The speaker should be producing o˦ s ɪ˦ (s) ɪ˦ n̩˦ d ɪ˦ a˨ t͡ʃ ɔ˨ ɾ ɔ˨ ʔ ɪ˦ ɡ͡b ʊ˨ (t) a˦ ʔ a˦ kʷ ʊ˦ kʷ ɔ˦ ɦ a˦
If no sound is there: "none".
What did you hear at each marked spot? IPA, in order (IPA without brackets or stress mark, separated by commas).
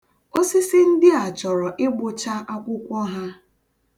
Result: s, t͡ʃ